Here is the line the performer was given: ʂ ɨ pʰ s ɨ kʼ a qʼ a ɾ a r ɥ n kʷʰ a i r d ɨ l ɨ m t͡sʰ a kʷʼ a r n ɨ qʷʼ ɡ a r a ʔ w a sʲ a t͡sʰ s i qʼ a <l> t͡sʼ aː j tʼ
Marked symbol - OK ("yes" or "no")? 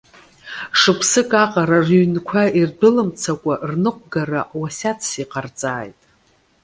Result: no